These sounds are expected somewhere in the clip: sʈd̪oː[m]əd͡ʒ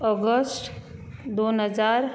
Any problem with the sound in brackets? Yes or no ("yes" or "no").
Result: yes